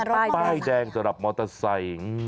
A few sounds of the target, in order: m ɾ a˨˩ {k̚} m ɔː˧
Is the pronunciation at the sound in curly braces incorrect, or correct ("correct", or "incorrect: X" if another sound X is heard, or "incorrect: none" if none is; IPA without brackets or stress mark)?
incorrect: p̚